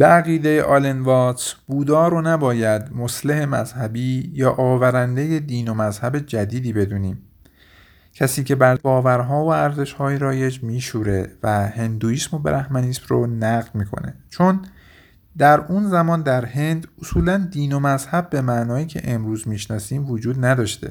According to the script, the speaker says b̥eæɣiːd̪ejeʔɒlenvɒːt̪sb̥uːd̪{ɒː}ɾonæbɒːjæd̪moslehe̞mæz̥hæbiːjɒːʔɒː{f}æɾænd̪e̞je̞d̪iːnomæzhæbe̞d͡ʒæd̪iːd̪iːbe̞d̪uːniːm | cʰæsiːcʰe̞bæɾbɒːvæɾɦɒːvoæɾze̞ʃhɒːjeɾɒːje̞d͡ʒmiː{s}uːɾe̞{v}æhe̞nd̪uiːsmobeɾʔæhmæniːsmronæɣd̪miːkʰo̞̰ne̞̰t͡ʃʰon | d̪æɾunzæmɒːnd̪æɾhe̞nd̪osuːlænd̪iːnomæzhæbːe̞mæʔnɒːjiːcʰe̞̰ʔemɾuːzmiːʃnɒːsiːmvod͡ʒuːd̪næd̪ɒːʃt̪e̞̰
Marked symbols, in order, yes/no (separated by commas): yes, no, no, yes